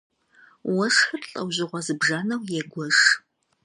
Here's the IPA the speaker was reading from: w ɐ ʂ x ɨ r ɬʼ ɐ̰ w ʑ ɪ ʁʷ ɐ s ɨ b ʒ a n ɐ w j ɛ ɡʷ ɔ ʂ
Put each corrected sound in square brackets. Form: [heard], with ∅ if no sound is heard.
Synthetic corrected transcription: w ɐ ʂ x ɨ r ɬʼ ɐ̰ w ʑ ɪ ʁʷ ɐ [z] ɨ b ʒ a n ɐ w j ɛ ɡʷ ɔ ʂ